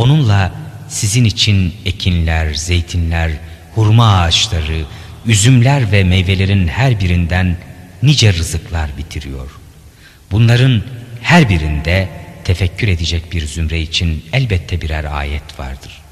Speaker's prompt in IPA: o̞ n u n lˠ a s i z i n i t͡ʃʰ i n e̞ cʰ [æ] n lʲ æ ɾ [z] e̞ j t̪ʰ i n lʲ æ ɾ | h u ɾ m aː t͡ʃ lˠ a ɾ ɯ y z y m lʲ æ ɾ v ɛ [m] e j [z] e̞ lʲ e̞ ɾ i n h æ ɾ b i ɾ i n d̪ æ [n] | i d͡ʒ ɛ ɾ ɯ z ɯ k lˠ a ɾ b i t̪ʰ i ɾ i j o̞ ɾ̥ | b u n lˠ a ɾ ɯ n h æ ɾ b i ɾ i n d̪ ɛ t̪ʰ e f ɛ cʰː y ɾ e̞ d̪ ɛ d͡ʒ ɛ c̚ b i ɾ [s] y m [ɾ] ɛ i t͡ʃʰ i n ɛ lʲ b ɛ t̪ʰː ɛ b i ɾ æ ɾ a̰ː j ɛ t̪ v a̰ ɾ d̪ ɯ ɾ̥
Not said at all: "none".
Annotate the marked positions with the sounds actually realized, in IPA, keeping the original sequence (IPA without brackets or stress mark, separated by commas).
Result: i, z, m, v, nː, z, ɾ